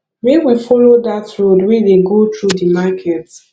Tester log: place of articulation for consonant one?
labial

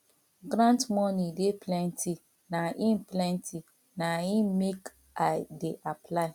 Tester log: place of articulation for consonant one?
velar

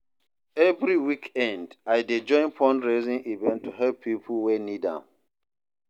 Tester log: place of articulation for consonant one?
labial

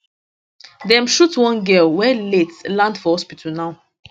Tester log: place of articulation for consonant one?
alveolar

